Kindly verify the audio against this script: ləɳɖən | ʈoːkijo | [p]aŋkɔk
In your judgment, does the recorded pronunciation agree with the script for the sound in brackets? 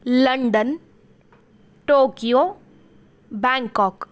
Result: no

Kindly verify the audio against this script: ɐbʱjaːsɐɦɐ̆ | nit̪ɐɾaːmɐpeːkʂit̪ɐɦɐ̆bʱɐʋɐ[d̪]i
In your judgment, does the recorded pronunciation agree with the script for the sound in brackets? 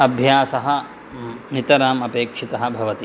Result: no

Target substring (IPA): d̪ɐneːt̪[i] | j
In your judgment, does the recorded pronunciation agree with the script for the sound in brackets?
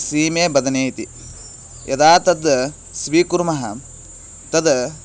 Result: yes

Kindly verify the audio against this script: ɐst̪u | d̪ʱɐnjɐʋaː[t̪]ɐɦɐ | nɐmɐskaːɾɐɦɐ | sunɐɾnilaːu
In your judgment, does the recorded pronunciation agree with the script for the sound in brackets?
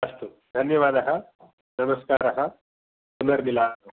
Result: no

